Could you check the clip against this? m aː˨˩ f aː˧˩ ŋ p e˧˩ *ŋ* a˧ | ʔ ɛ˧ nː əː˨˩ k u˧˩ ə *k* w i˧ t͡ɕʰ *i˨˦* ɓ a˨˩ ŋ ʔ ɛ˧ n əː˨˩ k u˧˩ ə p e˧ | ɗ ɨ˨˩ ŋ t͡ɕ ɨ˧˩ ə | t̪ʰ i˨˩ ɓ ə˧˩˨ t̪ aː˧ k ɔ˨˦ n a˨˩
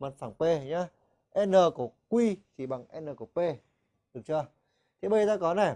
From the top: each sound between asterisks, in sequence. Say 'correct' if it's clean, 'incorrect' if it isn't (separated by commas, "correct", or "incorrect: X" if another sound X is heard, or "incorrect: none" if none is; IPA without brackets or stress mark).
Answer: incorrect: ɲ, correct, incorrect: i˧˩